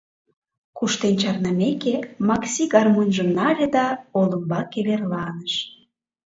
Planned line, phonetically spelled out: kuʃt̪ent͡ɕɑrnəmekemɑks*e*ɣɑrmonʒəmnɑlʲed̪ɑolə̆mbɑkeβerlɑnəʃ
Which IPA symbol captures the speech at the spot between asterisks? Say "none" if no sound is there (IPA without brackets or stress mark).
i